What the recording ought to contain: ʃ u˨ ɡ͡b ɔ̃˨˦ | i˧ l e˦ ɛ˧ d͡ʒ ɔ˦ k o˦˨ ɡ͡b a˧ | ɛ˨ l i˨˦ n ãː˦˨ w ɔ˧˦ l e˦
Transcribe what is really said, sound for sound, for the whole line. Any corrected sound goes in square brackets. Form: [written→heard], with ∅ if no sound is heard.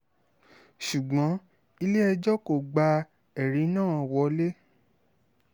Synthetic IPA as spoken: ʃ u˨ ɡ͡b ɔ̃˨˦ | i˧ l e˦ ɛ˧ d͡ʒ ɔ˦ k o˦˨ ɡ͡b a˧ | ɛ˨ [l→ɾ] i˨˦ n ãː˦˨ w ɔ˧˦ l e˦